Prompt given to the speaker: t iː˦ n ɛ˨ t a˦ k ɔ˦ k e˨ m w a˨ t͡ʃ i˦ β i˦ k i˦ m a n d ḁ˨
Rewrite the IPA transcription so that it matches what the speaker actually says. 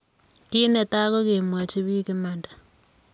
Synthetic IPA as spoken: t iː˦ n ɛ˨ t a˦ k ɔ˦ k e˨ m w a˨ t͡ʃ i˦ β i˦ k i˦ m a n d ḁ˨

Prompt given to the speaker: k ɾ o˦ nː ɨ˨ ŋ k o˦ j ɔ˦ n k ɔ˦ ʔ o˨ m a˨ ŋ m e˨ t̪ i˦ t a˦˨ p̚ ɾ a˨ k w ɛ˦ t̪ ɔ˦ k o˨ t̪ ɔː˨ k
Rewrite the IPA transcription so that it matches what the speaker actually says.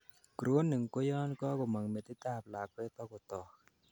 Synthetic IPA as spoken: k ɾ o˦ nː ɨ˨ ŋ k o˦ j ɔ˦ n k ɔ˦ k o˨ m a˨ ŋ m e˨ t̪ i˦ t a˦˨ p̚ l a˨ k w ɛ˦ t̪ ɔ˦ k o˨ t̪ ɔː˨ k

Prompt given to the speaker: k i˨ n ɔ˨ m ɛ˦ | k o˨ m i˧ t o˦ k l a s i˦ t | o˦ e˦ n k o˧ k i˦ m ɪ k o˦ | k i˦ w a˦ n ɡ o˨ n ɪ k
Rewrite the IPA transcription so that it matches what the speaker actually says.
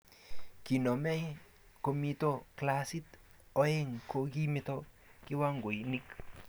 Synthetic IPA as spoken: k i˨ n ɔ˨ m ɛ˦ | k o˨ m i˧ t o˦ k l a s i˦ t | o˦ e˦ ŋ k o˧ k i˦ m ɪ t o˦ | k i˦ w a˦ ŋ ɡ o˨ n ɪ k

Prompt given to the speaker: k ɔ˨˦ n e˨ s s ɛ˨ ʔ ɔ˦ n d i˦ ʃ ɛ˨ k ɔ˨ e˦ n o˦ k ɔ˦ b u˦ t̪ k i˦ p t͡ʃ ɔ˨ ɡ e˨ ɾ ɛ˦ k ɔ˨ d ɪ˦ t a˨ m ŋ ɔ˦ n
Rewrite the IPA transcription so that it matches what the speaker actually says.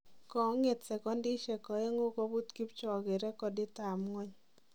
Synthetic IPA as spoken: k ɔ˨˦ ŋ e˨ t s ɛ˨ k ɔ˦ n d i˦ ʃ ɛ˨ k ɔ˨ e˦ ŋ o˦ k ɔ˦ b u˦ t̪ k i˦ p t͡ʃ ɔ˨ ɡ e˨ ɾ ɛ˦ k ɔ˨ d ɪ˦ t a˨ m ŋ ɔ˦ ɲ

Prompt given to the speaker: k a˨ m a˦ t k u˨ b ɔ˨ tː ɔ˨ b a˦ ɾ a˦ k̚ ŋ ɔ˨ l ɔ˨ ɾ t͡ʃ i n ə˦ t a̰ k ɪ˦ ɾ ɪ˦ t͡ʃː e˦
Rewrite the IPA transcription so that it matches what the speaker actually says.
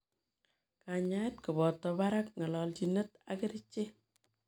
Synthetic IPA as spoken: k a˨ ɲ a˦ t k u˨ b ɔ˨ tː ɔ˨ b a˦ ɾ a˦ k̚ ŋ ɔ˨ l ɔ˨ l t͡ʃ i n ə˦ t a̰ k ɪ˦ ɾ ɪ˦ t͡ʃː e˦

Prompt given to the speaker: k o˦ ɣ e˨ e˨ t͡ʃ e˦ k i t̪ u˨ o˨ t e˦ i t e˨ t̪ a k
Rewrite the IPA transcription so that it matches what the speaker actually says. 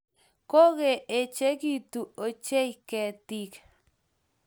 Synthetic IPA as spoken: k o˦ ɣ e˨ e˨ t͡ʃ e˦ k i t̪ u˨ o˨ t͡ʃ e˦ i k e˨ t̪ i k

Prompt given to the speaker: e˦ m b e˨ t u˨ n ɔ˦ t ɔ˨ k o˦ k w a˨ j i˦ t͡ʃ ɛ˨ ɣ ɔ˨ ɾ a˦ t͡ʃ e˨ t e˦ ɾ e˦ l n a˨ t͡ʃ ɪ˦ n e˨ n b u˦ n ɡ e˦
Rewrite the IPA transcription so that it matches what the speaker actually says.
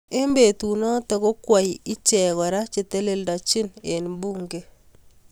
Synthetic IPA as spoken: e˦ m b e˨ t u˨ n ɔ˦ t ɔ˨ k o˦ k w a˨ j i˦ t͡ʃ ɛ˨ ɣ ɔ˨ ɾ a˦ t͡ʃ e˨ t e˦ l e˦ l d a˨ t͡ʃ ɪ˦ n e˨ n b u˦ ŋ ɡ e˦

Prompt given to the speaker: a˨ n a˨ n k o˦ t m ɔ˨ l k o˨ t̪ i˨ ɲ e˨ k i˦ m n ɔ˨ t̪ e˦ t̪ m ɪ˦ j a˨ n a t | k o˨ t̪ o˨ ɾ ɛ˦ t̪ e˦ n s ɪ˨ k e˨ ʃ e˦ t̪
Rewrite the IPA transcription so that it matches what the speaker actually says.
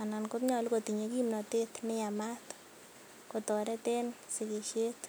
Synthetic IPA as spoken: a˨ n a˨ n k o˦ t ɲ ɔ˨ l k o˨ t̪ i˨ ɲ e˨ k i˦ m n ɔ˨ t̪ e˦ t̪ n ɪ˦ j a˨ m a t | k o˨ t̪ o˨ ɾ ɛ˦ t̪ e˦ n s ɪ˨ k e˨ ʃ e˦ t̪

